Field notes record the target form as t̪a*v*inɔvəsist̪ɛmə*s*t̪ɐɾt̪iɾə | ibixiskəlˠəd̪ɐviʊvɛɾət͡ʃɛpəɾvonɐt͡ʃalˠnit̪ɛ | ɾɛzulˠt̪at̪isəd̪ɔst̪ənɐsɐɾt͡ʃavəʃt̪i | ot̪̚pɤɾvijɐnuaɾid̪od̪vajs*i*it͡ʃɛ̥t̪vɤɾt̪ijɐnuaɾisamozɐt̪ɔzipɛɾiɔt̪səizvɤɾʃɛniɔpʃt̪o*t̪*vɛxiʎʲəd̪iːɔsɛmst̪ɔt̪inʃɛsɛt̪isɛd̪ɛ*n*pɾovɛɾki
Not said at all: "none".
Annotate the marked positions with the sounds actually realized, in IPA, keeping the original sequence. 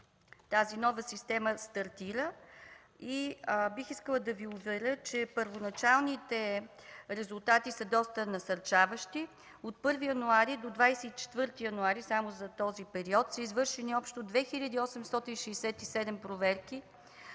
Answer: z, s, ɛ, d̪, m

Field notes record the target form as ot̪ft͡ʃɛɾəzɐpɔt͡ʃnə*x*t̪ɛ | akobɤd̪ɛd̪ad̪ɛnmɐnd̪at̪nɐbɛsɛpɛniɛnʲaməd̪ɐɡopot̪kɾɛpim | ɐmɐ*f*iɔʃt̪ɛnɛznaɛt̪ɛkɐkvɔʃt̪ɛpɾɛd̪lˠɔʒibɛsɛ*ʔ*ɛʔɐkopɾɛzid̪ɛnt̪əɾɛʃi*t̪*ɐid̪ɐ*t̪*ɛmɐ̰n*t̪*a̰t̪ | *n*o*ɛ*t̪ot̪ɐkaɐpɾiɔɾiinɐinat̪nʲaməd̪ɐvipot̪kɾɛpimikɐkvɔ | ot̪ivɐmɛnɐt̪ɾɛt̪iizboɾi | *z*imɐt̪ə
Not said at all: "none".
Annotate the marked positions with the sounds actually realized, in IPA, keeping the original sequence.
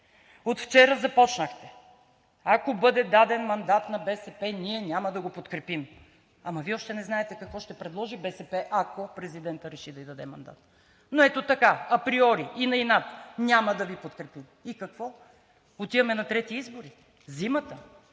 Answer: x, v, p, d̪, d̪, d̪, n, ɛ, z

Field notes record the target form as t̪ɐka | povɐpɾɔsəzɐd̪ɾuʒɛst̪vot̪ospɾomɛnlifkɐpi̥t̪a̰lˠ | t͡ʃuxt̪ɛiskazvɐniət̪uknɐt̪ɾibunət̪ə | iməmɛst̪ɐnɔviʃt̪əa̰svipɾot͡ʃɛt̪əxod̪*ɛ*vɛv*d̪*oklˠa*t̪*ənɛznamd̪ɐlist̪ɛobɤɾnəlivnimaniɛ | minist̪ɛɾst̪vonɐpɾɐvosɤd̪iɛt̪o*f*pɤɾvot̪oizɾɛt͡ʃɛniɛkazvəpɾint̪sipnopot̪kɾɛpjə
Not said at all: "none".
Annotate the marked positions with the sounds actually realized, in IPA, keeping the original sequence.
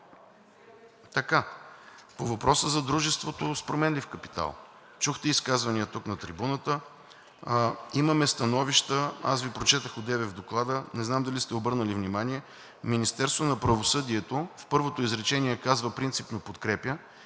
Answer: ɛ, d̪, d̪, f

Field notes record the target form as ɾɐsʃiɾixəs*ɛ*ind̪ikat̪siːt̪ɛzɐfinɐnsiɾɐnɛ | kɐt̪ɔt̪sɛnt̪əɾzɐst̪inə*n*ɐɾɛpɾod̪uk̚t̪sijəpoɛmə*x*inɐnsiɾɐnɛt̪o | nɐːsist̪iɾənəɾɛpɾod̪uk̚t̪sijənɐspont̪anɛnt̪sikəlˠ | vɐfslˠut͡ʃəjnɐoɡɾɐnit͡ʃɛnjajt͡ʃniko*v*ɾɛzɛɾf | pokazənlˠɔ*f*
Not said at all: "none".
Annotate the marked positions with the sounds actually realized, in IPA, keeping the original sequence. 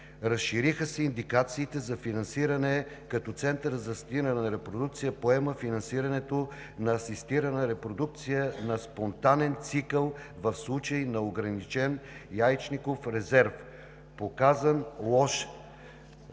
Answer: ɛ, n, f, f, ʃ

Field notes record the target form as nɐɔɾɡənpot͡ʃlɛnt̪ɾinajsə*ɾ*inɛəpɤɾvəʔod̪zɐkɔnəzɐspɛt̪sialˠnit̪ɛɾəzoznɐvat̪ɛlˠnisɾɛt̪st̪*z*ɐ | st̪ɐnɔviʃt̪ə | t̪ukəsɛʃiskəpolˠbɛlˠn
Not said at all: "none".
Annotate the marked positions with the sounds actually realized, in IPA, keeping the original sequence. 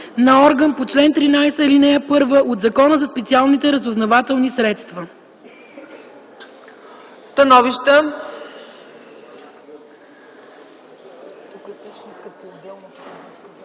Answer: l, v

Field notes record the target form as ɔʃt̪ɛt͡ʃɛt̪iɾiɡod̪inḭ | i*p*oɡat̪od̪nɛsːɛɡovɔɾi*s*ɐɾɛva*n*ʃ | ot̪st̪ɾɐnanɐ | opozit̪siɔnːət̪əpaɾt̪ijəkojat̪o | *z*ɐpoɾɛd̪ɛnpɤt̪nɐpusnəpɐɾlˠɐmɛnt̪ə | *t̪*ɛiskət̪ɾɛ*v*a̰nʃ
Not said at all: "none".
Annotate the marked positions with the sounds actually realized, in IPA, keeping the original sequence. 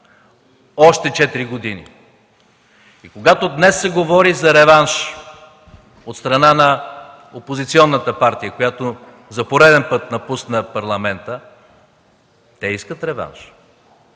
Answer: k, z, n, z, t̪, v

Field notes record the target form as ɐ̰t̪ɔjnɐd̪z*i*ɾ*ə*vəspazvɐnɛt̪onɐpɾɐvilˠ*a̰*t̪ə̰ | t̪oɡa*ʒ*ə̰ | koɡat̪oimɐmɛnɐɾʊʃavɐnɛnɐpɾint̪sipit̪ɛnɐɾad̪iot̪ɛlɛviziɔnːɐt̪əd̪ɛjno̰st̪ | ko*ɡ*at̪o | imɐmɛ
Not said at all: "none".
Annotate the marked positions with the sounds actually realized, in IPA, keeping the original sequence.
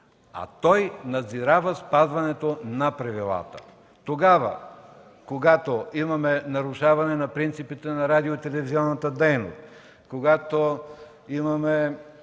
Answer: i, a, a̰, v, ɡ

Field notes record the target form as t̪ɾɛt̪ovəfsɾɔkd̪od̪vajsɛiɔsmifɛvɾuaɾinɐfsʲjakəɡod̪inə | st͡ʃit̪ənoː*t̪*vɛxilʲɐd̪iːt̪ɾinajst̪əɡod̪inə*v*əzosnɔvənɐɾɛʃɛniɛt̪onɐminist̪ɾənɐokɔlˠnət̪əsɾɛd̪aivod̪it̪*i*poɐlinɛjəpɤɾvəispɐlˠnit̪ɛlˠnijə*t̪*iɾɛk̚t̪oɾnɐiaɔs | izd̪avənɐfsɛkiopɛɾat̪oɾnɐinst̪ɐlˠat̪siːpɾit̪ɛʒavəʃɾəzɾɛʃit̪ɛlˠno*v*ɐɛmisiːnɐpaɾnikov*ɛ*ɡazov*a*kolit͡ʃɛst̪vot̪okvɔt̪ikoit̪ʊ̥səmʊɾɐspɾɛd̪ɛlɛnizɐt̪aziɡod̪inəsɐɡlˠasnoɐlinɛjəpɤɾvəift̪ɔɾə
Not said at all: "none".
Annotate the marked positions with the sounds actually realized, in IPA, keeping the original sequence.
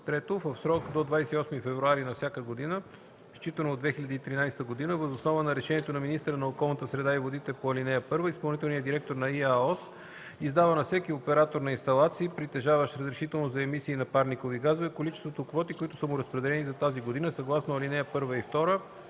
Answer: d̪, v, ɛ, d̪, z, i, ɛ

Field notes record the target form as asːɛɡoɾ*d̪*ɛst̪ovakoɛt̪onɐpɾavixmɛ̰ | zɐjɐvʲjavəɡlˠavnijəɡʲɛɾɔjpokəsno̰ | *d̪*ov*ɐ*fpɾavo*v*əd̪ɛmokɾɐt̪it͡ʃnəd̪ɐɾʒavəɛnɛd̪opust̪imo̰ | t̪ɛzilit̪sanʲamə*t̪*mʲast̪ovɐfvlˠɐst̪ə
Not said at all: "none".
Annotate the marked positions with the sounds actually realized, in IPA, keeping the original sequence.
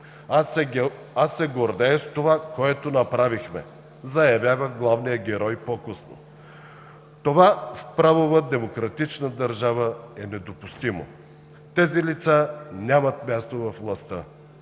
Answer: d̪, t̪, a, v, t̪

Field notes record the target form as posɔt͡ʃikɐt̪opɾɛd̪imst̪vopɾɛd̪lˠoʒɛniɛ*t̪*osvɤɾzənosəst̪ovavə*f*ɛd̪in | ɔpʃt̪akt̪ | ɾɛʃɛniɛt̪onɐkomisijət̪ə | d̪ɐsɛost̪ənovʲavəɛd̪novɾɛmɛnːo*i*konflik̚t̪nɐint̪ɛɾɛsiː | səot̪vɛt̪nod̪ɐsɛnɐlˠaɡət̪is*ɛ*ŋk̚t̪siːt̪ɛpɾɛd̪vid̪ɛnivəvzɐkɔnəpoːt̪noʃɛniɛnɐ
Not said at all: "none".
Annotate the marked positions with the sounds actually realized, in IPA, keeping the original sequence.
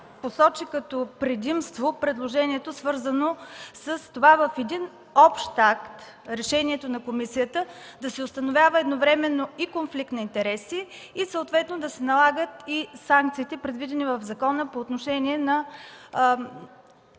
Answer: t̪, f, i, a

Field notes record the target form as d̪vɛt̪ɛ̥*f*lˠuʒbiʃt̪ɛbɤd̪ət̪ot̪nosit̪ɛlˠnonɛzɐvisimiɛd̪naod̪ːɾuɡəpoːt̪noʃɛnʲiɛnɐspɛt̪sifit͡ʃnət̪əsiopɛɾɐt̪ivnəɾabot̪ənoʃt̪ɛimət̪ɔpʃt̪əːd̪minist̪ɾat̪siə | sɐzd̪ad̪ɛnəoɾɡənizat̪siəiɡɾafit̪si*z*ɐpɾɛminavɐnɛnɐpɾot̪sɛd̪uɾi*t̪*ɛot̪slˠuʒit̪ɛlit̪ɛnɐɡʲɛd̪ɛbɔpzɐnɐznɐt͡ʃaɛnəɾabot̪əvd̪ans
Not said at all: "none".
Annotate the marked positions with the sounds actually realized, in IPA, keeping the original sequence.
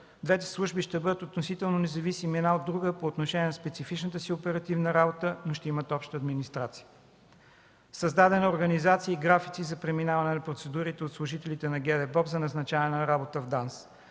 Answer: s, z, t̪

